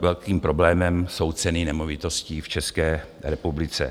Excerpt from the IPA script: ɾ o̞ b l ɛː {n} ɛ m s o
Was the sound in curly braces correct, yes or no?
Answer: no